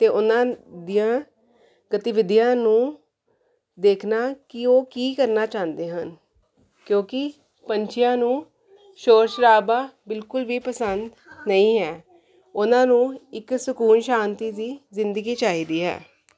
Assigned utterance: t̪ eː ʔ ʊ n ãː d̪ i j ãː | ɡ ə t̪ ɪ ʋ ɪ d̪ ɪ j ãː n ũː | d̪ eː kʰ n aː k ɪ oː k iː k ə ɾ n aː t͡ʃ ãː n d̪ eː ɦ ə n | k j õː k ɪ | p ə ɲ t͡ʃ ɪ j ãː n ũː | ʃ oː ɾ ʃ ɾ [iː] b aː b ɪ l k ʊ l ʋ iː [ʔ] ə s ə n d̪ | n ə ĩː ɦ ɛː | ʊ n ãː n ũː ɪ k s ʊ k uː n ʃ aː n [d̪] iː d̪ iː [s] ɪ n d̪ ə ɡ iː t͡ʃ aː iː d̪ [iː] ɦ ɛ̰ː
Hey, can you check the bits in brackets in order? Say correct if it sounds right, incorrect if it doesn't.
incorrect: aː, incorrect: p, incorrect: t̪, incorrect: z, correct

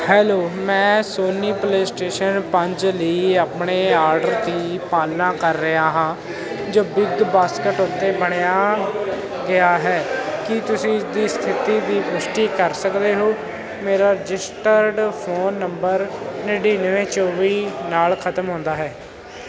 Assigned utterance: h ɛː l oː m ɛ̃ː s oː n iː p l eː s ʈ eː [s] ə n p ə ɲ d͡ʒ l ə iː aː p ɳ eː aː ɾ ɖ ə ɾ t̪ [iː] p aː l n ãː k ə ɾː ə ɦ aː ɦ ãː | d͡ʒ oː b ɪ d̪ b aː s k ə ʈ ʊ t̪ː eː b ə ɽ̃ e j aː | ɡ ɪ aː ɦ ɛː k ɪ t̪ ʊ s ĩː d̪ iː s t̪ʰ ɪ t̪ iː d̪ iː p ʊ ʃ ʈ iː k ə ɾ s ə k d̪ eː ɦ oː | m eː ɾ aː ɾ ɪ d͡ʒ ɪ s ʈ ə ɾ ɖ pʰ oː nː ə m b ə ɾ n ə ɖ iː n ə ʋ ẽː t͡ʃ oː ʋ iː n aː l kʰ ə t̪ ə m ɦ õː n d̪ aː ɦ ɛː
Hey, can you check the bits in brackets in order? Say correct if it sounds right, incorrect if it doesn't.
incorrect: ʃ, correct

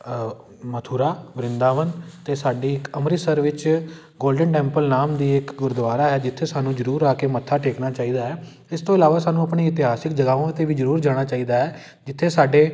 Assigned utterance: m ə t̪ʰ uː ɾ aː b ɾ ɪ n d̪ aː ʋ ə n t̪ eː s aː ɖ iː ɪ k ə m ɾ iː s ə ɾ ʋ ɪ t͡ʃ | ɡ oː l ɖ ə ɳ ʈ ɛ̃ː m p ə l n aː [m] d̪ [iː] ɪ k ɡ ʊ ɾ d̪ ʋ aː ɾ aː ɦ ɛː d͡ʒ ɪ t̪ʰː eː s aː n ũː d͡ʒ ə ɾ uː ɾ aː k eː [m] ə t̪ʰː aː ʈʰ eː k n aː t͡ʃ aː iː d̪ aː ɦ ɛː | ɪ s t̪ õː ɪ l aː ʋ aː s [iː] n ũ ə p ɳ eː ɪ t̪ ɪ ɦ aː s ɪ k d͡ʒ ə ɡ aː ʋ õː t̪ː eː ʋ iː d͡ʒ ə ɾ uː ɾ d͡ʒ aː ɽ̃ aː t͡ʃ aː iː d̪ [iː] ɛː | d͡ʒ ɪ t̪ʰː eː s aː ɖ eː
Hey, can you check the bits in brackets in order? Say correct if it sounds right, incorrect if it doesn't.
correct, correct, correct, incorrect: aː, incorrect: aː

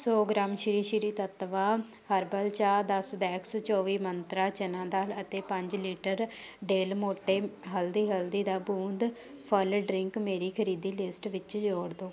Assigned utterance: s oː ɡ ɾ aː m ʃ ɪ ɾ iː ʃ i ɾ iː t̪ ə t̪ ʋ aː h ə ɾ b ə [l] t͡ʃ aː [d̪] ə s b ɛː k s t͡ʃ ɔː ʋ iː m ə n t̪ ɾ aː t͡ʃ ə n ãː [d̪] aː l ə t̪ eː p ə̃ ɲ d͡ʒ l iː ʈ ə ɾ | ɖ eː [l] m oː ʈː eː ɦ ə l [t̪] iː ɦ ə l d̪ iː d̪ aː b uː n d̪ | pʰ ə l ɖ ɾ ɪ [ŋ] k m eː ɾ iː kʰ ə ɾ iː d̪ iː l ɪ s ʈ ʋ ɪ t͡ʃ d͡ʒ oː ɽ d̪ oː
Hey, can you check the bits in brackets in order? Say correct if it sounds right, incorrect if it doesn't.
correct, correct, correct, correct, incorrect: d̪, correct

